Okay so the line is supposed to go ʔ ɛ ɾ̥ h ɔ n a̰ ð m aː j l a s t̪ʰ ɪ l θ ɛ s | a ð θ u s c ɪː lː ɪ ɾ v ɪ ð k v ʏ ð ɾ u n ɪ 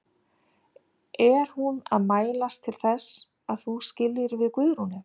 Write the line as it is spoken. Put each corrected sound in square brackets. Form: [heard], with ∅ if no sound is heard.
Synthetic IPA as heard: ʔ ɛ ɾ̥ h [u] n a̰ ð m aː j l a s t̪ʰ ɪ l θ ɛ s | a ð θ u s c [ɪ] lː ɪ ɾ v ɪ ð k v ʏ ð ɾ u n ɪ